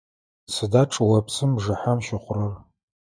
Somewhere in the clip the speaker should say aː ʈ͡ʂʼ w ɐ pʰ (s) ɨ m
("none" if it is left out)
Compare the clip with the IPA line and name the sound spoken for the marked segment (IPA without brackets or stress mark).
s